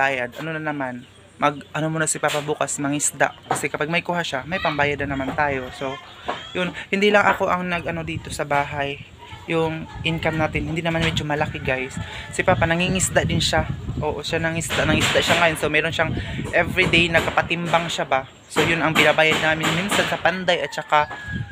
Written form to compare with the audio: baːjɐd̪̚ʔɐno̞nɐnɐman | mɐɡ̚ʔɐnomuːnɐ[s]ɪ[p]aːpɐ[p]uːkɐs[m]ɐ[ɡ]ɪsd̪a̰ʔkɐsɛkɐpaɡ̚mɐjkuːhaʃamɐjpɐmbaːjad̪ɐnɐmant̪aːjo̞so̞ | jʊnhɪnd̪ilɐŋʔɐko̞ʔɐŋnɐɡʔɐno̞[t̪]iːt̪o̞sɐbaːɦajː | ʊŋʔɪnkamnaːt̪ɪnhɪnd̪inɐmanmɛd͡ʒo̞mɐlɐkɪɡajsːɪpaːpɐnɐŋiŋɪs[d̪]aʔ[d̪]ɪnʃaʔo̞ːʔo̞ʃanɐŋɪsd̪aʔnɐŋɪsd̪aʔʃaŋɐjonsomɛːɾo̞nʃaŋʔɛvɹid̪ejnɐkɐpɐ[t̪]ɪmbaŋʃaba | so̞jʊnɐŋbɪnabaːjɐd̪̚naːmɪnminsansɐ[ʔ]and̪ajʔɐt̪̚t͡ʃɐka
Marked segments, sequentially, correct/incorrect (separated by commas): correct, correct, incorrect, correct, incorrect, incorrect, correct, correct, correct, incorrect